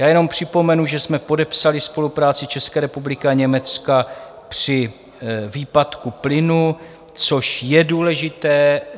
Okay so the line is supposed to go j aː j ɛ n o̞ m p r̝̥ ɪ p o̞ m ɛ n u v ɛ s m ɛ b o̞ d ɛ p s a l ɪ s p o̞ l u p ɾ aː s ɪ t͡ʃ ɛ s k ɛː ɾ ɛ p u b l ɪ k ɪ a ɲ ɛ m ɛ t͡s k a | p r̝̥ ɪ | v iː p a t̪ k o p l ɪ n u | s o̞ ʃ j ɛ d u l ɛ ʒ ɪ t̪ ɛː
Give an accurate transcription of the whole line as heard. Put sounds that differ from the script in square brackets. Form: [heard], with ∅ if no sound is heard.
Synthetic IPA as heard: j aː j ɛ n o̞ m p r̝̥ ɪ p o̞ m ɛ n u [ʒ] ɛ s m ɛ [p] o̞ d ɛ p s a l ɪ s p o̞ l u p ɾ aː [t͡s] ɪ t͡ʃ ɛ s k ɛː ɾ ɛ p u b l ɪ k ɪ a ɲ ɛ m ɛ t͡s k a | p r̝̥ ɪ | v iː p a t̪ k [u] p l ɪ n u | [t͡s] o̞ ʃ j ɛ d [uː] l ɛ ʒ ɪ t̪ ɛː